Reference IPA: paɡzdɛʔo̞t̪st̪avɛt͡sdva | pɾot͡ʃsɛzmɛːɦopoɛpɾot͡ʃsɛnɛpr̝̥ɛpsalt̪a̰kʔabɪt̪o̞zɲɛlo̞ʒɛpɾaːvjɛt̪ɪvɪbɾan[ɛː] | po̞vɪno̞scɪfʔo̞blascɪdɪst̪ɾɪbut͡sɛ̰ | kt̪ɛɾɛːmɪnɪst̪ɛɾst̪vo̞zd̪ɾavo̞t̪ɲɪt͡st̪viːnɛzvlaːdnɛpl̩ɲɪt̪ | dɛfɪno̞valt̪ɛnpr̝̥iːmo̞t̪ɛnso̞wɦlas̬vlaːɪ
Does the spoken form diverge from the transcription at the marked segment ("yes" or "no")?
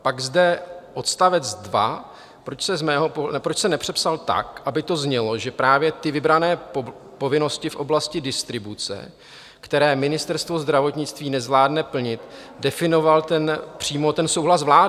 no